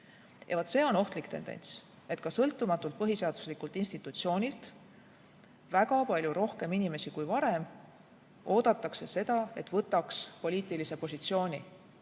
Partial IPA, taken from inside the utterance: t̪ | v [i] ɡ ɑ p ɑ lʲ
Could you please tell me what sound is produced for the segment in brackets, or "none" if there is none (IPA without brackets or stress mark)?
æ